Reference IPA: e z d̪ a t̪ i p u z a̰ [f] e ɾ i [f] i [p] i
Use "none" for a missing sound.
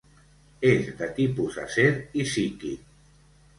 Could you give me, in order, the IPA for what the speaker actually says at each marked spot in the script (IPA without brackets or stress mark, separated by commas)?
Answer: s, s, k